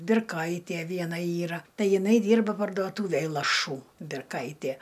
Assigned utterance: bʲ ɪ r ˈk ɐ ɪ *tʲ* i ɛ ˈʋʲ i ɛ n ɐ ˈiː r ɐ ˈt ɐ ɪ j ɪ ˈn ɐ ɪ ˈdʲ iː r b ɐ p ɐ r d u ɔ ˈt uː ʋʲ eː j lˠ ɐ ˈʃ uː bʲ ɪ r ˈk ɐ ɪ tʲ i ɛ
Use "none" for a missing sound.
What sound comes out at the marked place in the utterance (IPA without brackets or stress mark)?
tʲ